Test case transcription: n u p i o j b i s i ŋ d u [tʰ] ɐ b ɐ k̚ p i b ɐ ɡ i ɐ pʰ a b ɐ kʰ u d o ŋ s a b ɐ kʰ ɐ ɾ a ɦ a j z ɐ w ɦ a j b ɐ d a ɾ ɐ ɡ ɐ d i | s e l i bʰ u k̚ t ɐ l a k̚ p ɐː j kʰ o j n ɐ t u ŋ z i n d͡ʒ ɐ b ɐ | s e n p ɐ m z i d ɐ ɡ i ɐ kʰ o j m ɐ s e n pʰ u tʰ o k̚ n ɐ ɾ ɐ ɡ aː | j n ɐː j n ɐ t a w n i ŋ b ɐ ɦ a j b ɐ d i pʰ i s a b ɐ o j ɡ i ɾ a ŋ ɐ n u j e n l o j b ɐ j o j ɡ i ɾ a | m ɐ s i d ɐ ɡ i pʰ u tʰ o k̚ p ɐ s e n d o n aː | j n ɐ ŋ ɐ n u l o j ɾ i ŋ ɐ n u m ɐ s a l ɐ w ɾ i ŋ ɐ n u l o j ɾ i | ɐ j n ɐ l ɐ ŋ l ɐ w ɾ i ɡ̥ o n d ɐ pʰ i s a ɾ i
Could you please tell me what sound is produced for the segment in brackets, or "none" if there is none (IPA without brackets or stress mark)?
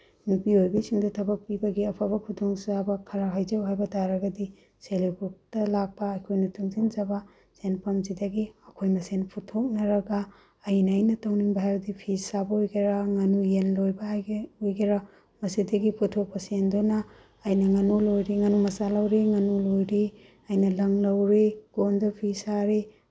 tʰ